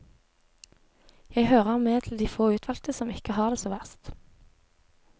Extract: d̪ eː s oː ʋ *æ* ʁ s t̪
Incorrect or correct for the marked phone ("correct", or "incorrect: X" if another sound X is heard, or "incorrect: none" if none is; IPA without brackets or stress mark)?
correct